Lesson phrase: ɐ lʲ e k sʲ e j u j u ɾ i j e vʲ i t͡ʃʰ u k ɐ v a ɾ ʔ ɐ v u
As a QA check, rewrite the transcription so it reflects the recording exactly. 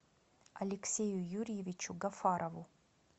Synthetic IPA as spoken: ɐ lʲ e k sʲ e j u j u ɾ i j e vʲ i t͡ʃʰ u ɡ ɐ f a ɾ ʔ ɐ v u